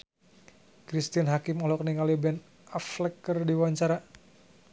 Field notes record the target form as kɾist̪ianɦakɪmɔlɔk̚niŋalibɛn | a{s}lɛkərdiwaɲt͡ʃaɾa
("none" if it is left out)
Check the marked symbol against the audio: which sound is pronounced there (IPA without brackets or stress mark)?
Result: f